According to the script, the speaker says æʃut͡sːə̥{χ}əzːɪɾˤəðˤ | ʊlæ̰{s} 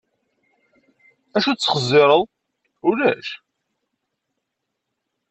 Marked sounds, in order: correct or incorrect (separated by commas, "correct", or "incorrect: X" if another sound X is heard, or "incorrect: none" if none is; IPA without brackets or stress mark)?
correct, incorrect: ʃ